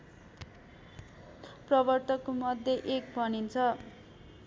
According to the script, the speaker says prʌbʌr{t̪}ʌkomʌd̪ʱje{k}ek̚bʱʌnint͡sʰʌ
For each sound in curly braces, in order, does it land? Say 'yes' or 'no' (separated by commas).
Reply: yes, no